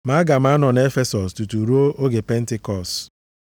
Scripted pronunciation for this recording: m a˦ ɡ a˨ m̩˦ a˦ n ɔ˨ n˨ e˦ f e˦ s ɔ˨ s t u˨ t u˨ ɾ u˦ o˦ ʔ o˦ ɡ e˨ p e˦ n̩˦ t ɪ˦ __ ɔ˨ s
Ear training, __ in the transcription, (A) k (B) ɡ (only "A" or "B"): A